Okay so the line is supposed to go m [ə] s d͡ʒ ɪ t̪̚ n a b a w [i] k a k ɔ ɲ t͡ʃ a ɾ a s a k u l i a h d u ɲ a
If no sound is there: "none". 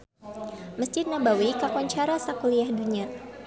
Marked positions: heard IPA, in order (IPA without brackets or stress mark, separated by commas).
ə, i